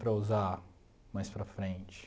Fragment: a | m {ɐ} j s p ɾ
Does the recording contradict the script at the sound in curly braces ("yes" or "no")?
yes